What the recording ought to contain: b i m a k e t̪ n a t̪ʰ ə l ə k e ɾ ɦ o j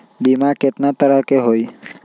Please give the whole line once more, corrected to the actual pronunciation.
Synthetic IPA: b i m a k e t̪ n a t̪ ə ɾ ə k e ɦ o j